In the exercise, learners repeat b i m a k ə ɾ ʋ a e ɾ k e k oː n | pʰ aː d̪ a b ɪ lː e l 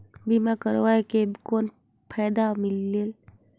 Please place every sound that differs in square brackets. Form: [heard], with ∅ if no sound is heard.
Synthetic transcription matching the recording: b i m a k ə ɾ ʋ a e [∅] k e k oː n | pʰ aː d̪ a [m] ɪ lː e l

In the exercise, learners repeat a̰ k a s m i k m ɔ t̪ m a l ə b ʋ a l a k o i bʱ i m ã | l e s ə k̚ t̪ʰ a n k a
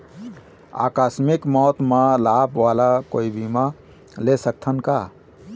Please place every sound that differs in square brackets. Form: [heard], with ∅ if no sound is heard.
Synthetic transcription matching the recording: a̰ k a s m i k m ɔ t̪ m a l [a] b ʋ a l a k o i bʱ i m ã | l e s ə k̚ t̪ʰ [ə] n k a

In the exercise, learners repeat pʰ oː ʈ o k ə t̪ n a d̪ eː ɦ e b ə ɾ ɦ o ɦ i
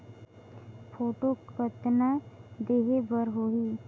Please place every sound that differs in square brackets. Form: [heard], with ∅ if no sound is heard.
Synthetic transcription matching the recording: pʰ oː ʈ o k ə t̪ n a d̪ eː ɦ e b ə ɾ ɦ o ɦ i

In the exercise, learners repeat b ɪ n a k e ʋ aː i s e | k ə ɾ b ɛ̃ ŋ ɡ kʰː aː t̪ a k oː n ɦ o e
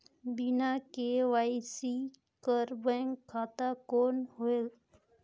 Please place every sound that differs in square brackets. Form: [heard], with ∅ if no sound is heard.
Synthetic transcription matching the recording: b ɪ n a k e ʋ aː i s [i] | k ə ɾ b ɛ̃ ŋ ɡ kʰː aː t̪ a k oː n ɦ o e

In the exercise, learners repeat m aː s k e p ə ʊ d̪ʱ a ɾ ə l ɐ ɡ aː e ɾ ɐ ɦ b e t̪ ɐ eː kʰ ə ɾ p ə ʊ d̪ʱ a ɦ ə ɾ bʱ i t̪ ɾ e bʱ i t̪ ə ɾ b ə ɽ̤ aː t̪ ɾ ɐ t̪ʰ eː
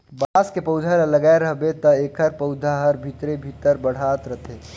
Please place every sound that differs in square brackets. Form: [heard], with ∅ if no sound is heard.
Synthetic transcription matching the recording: [b] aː s k e p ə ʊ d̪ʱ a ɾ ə l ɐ ɡ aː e ɾ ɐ ɦ b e t̪ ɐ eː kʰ ə ɾ p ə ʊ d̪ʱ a ɦ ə ɾ bʱ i t̪ ɾ e bʱ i t̪ ə ɾ b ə ɽ̤ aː t̪ ɾ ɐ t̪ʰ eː

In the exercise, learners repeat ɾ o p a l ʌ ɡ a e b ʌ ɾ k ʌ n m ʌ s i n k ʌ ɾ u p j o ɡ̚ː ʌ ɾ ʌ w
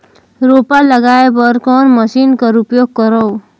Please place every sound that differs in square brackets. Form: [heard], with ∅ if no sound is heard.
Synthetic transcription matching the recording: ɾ o p a l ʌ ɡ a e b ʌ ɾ k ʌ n m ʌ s i n k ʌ ɾ u p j o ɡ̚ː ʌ ɾ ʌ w

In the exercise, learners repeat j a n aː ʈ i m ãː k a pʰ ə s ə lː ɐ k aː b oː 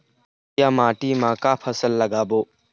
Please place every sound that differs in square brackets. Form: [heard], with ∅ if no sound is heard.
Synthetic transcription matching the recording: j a [m] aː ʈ i m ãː k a pʰ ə s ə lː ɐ [ɡ] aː b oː

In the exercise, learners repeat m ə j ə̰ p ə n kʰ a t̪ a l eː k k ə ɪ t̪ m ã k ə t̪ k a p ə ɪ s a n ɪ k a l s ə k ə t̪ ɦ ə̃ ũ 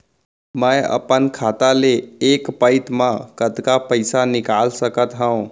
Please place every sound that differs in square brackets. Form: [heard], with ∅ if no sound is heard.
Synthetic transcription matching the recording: m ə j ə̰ p ə n kʰ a t̪ a l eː k [p] ə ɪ t̪ m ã k ə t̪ k a p ə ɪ s a n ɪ k a l s ə k ə t̪ ɦ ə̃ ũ

